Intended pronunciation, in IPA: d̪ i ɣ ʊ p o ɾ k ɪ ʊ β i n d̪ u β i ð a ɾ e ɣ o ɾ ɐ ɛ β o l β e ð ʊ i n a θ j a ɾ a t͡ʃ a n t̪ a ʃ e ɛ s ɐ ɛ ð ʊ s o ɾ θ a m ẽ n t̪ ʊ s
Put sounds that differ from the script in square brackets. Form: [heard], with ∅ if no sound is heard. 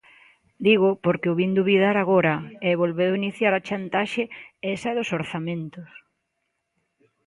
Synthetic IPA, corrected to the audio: d̪ i ɣ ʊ p o ɾ k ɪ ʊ β i n d̪ u β i ð a ɾ [a] ɣ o ɾ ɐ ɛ β o l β e ð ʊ i n [i] θ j a ɾ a t͡ʃ a n t̪ a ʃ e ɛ s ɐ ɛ ð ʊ s o ɾ θ a m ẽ n t̪ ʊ s